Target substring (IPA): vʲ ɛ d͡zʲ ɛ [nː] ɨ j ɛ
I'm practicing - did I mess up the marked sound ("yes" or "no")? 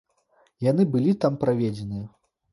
yes